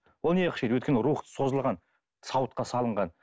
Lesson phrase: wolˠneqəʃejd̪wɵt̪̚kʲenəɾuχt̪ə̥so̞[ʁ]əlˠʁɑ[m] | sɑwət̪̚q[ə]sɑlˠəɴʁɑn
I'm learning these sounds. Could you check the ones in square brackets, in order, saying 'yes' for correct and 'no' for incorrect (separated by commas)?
no, no, no